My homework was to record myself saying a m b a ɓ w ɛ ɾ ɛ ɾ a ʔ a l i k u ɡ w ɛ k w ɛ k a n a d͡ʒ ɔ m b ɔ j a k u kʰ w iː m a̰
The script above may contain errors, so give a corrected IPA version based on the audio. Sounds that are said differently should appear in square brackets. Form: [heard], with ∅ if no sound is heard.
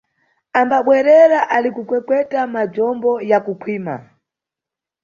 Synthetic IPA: a m b a ɓ w ɛ ɾ ɛ ɾ a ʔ a l i k u [k] w ɛ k w ɛ [t] a [m] a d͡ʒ ɔ m b ɔ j a k u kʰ w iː m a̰